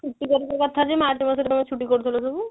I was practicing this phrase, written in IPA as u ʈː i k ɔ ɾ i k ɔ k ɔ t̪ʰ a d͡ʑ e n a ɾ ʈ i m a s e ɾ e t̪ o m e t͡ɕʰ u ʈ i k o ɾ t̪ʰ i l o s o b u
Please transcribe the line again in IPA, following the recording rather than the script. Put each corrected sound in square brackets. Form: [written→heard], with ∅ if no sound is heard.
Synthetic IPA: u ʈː i k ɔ ɾ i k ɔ k ɔ t̪ʰ a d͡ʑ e [n→m] a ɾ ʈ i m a s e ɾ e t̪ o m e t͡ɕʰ u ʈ i k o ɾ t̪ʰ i l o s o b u